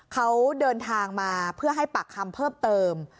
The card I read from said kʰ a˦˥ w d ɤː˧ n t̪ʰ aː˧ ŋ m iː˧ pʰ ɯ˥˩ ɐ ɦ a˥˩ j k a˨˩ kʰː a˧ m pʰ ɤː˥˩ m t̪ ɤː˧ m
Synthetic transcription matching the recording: kʰ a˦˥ w d ɤː˧ n t̪ʰ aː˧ ŋ m aː˧ pʰ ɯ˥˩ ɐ ɦ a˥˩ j p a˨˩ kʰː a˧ m pʰ ɤː˥˩ m t̪ ɤː˧ m